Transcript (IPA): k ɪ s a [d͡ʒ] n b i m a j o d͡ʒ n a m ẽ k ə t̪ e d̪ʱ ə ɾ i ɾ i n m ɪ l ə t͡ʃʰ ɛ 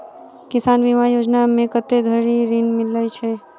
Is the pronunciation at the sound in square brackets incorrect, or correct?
incorrect